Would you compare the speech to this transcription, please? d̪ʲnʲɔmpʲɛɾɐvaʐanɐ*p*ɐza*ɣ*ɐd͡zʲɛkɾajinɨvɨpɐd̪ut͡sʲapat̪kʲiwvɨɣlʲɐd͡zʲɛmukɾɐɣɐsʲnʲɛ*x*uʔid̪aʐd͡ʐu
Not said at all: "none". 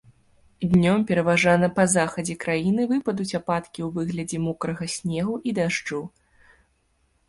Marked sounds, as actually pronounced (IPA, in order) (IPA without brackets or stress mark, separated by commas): p, x, ɣ